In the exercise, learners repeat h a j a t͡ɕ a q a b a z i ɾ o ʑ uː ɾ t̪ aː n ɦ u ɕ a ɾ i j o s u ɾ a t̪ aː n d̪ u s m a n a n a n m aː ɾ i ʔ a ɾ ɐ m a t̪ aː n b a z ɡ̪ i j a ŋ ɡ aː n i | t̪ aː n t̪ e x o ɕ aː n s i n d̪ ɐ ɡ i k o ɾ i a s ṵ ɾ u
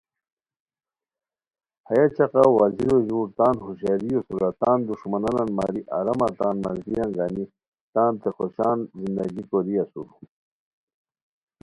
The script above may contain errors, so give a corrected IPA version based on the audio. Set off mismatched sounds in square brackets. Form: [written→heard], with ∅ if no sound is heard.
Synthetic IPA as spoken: h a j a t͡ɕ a q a [b→w] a z i ɾ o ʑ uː ɾ t̪ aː n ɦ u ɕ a ɾ i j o s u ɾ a t̪ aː n d̪ u [s→ʂ] m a n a n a n m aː ɾ i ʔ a ɾ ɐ m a t̪ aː n [b→m] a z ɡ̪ i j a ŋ ɡ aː n i | t̪ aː n t̪ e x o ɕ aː n [s→z] i n d̪ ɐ ɡ i k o ɾ i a s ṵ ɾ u

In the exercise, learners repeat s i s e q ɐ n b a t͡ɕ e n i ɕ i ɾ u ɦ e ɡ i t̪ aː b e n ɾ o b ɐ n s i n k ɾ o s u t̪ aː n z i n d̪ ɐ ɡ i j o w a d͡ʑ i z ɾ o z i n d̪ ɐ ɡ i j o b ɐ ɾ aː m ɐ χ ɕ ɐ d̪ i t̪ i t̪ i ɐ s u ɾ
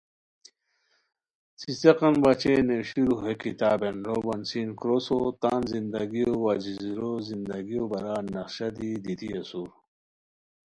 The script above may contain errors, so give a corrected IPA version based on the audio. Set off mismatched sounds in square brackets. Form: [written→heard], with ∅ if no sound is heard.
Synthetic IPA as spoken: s i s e q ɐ n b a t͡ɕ e n [i→e] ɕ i ɾ u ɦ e [ɡ→k] i t̪ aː b e n ɾ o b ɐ n s i n k ɾ o s [u→o] t̪ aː n z i n d̪ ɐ ɡ i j o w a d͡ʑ i z ɾ o z i n d̪ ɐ ɡ i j o b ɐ ɾ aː [m→n] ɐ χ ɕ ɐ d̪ i [t̪→d̪] i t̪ i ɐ s u ɾ

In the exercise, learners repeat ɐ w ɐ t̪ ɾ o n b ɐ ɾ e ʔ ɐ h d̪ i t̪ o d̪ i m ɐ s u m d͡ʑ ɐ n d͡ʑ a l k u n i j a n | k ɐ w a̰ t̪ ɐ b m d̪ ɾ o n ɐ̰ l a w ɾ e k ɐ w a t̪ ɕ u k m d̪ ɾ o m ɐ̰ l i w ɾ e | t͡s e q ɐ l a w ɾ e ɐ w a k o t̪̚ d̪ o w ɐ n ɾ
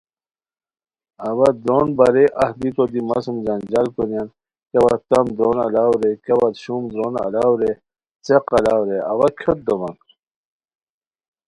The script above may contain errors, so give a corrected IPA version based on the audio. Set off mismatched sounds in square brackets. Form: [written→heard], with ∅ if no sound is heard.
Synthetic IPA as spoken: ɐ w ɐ [t̪→d̪] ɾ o n b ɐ ɾ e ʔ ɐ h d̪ i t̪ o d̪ i m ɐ s u m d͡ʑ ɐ n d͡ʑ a l k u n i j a n | k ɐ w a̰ t̪ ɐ [b→∅] m d̪ ɾ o n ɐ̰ l a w ɾ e k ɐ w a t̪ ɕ u [k→∅] m d̪ ɾ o [m→n] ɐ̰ l [i→a] w ɾ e | t͡s e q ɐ l a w ɾ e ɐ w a [k→kʰ] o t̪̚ d̪ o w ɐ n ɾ

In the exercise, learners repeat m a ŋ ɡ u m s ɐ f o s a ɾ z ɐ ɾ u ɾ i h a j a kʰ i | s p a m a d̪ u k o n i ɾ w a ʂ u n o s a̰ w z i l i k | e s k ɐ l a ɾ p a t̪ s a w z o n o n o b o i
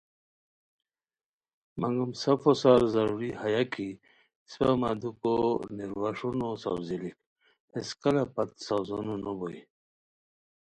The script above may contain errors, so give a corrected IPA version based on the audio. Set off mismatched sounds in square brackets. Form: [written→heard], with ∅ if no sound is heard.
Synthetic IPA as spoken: m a ŋ ɡ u m s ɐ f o s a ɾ z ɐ ɾ u ɾ i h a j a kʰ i | s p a m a d̪ u k o n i ɾ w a ʂ u n o s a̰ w z i l i k | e s k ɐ l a [ɾ→∅] p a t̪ s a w z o n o n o b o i

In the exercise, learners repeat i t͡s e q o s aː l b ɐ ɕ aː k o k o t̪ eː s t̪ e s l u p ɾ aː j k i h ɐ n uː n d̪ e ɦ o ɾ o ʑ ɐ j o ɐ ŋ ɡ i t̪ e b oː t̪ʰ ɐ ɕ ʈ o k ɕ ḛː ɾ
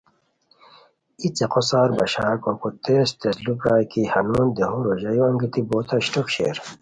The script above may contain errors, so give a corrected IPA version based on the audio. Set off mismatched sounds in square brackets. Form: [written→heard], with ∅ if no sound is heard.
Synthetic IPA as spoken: i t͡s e q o s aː [l→ɾ] b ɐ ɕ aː k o k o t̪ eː s t̪ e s l u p ɾ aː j k i h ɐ n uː n d̪ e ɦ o ɾ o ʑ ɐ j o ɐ ŋ ɡ i t̪ [e→i] b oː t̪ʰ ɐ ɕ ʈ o k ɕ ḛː ɾ

